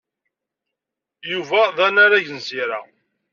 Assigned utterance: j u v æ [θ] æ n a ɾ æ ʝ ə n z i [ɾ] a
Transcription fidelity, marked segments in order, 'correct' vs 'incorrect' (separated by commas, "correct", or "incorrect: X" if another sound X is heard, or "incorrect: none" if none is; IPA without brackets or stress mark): incorrect: ð, correct